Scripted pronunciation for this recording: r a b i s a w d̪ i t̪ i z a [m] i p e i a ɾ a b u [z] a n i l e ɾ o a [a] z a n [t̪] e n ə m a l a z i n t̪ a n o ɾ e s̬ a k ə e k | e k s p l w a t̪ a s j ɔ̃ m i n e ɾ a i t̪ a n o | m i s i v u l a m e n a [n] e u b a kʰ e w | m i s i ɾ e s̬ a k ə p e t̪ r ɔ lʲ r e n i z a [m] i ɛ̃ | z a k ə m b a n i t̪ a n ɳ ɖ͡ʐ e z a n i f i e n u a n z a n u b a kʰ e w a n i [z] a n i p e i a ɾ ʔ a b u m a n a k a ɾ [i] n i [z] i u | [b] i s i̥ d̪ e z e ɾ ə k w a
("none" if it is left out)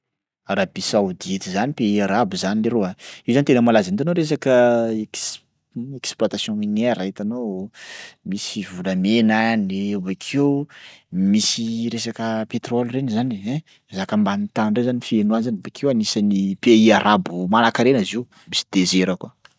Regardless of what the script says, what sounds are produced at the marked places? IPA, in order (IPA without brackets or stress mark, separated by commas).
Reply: n, z, i, t̪, n, n, s, e, z, m